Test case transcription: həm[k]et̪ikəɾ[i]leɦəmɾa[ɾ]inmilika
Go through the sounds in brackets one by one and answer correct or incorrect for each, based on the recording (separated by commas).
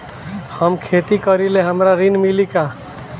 incorrect, correct, correct